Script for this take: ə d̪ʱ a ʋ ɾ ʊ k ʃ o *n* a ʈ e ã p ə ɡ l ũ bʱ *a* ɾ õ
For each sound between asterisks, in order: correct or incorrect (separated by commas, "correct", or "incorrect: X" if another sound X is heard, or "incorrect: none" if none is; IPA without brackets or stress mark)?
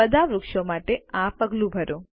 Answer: incorrect: m, incorrect: ə